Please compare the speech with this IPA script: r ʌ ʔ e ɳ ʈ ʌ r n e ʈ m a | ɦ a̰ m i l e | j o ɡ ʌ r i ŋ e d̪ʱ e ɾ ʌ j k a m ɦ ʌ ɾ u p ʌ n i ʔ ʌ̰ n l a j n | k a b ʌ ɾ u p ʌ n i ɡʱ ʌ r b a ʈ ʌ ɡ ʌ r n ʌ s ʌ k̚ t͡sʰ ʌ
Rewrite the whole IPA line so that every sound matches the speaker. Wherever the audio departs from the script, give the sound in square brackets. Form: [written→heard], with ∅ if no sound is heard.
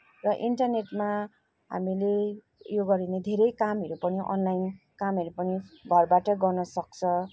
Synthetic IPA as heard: r ʌ ʔ [e→i] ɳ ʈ ʌ r n e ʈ m a | ɦ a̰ m i l e | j o ɡ ʌ [r→ɾ] i [ŋ→n] e d̪ʱ e ɾ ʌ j k a m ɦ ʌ ɾ u p ʌ n i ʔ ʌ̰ n l a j n | k a [b→m] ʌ ɾ u p ʌ n i ɡʱ ʌ r b a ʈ ʌ ɡ ʌ r n ʌ s ʌ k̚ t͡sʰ ʌ